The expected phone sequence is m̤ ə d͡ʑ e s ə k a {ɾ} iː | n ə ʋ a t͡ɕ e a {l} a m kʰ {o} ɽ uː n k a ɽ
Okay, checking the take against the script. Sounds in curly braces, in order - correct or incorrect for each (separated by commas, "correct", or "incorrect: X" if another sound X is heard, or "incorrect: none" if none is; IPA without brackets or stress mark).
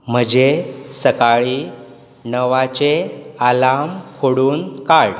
incorrect: ɭ, correct, correct